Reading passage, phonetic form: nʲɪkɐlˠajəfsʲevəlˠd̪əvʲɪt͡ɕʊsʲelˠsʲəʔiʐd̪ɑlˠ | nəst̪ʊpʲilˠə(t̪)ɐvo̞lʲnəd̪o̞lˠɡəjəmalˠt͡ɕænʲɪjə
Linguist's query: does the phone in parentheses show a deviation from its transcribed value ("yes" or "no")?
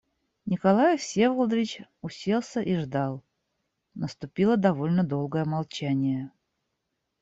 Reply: yes